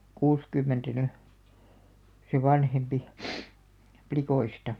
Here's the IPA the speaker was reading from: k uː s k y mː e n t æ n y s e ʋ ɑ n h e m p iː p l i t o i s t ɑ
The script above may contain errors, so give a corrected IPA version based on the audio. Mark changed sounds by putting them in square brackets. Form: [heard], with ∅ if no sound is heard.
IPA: k uː s k y mː e n t æ n y s e ʋ ɑ n h e m p [i] p l i [k] o i s t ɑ